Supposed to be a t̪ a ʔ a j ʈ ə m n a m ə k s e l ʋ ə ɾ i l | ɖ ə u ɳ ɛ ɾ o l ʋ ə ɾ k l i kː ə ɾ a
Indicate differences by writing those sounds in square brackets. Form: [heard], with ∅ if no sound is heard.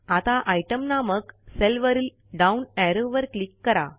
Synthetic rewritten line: a t̪ a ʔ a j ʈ ə m n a m ə k s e l ʋ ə ɾ i l | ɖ [a] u [n] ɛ ɾ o [∅] ʋ ə ɾ k l i kː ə ɾ a